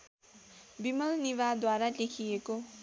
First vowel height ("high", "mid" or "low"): high